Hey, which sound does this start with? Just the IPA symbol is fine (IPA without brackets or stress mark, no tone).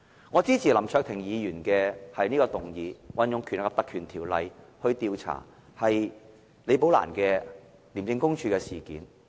ŋ